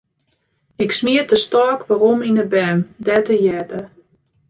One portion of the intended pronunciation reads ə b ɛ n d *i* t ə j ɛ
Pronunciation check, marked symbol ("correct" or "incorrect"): incorrect